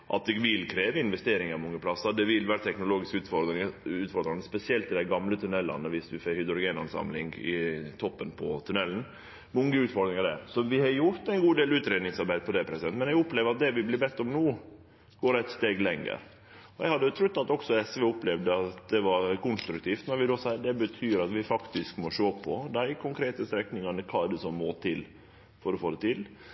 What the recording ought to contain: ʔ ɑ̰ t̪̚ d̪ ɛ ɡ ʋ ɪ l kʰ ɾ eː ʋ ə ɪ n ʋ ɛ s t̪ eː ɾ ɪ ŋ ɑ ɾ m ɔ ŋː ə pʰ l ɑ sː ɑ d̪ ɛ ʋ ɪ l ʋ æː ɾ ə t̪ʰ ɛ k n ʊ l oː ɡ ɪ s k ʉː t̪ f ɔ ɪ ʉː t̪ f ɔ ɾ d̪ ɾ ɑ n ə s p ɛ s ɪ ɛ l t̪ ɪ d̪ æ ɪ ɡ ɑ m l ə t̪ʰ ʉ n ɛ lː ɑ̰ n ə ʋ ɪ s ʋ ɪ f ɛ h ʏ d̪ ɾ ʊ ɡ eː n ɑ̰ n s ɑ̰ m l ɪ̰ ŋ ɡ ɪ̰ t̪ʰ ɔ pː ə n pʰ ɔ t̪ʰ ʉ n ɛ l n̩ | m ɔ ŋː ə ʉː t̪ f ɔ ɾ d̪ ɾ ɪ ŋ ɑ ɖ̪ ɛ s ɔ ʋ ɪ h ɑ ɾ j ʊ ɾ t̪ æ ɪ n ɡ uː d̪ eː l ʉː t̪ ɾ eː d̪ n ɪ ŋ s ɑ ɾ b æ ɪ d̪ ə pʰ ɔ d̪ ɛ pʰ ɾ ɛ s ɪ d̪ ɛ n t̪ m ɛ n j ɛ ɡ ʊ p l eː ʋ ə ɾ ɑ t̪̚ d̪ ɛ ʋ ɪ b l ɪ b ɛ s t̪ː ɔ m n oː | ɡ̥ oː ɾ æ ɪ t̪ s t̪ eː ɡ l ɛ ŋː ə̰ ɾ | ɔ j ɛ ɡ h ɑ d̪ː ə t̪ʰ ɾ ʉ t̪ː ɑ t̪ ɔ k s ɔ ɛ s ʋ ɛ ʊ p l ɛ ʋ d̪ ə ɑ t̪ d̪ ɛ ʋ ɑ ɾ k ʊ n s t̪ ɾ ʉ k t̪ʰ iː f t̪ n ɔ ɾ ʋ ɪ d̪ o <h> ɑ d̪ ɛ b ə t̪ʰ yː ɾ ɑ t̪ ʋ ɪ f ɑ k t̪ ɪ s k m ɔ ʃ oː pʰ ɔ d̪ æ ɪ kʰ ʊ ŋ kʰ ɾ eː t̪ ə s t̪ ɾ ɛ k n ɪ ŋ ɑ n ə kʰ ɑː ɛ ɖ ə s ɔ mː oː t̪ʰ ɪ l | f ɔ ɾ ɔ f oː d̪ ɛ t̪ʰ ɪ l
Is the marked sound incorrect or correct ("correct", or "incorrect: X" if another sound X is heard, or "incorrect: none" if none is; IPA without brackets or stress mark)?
incorrect: s